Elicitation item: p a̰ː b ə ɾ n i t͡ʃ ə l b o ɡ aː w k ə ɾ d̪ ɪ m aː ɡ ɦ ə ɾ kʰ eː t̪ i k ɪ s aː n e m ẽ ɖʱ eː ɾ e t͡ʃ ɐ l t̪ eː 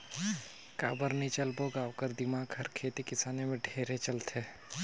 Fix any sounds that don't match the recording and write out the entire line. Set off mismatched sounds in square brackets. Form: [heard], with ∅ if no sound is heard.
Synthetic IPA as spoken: [k] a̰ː b ə ɾ n i t͡ʃ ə l b o ɡ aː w k ə ɾ d̪ ɪ m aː ɡ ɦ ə ɾ kʰ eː t̪ i k ɪ s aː n e m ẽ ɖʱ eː ɾ e t͡ʃ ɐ l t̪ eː